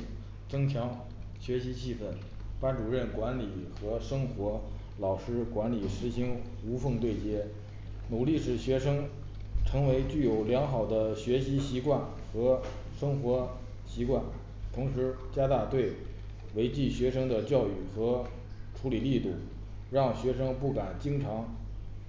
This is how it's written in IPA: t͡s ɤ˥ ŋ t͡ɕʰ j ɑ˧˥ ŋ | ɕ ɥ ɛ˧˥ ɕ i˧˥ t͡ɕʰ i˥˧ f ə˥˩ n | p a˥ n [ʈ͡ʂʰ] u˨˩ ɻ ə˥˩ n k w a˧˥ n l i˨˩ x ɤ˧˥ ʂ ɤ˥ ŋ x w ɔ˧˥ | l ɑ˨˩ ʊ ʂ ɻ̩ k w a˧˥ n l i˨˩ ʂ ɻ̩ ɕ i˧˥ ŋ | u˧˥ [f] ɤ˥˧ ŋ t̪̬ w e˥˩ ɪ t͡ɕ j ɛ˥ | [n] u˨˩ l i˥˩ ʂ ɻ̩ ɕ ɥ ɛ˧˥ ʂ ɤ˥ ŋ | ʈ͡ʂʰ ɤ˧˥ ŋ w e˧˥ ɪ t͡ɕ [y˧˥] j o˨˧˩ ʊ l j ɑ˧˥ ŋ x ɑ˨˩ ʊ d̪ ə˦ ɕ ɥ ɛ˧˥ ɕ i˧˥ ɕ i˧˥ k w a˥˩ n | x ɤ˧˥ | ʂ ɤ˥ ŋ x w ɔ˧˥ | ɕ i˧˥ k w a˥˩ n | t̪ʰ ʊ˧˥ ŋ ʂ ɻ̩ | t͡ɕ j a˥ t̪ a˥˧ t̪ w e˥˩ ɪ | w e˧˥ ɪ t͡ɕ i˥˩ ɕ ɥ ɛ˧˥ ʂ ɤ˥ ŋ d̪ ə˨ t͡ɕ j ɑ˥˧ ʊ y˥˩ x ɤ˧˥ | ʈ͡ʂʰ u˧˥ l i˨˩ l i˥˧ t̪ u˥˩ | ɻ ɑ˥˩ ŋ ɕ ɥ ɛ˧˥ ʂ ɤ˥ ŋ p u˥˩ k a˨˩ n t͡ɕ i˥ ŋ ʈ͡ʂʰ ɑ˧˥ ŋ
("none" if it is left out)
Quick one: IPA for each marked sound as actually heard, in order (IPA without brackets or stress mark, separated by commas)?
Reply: ʈ͡ʂ, f, n, y˥˩